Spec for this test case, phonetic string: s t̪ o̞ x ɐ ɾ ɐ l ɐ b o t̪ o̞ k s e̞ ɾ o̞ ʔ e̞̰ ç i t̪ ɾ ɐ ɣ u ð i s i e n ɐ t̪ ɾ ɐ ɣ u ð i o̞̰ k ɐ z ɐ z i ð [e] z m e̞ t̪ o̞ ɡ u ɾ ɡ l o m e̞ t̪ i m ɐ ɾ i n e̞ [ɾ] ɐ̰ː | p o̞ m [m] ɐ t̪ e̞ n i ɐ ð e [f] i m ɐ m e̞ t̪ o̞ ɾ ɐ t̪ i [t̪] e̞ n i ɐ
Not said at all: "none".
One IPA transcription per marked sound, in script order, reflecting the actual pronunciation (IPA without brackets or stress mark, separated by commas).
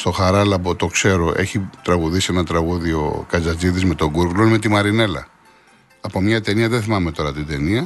i, l, ɲ, θ, d̪